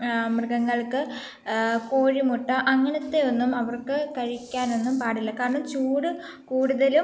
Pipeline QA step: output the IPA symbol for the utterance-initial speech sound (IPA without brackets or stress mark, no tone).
m